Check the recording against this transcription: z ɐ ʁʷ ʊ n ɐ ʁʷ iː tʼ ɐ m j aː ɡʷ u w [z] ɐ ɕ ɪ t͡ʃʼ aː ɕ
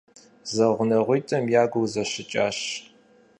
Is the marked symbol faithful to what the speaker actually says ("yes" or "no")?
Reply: yes